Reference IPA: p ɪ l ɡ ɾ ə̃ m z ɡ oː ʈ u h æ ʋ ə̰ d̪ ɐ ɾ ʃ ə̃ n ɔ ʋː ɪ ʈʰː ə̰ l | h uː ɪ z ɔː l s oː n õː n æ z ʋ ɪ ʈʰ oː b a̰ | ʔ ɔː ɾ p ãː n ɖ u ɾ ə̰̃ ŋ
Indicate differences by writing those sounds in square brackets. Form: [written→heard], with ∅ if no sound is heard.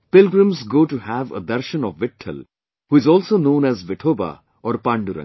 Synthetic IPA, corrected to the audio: p ɪ l ɡ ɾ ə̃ m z ɡ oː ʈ u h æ ʋ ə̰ d̪ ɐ ɾ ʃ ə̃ n ɔ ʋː ɪ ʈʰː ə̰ l | h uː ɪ z ɔː l s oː n õː n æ z ʋ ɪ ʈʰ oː b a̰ | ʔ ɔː ɾ p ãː [n→ɳ] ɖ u ɾ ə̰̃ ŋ